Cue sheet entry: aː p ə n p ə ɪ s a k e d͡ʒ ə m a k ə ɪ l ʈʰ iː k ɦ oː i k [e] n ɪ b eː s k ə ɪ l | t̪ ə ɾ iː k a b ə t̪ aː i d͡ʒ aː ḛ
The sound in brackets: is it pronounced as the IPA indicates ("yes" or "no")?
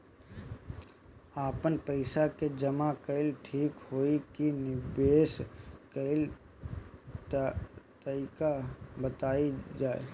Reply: no